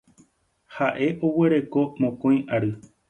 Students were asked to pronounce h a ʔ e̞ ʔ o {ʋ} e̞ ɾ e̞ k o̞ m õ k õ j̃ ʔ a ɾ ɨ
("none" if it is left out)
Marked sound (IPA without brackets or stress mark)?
w